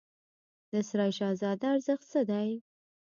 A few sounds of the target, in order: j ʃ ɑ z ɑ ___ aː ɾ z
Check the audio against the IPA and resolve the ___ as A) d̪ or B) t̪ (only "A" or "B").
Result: A